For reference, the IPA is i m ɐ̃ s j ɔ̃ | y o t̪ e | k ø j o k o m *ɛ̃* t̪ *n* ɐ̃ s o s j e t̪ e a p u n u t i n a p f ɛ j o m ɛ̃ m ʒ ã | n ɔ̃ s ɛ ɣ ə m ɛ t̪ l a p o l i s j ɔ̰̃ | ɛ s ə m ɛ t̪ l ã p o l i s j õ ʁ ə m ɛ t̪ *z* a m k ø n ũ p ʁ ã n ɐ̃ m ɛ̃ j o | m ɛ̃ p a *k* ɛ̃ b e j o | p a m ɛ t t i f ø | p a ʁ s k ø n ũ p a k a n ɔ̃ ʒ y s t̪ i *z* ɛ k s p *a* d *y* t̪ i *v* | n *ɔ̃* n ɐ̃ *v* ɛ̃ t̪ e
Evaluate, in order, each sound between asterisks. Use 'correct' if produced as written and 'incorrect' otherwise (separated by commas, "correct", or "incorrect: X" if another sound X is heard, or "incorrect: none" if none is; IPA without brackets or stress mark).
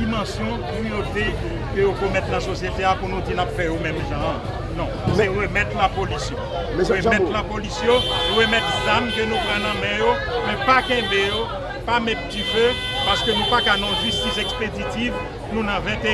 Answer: incorrect: ɛ, correct, correct, correct, incorrect: s, incorrect: e, incorrect: i, correct, incorrect: ũ, correct